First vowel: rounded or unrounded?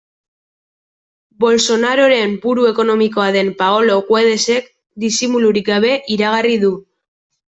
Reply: rounded